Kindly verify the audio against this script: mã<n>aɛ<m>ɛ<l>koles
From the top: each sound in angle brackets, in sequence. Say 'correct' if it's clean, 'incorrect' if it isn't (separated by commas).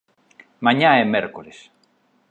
incorrect, correct, incorrect